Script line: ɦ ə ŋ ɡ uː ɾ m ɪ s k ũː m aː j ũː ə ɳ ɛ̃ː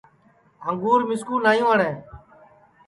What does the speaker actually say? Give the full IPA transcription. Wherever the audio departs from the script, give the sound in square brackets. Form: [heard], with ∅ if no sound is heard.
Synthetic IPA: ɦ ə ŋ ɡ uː ɾ m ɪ s k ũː [n] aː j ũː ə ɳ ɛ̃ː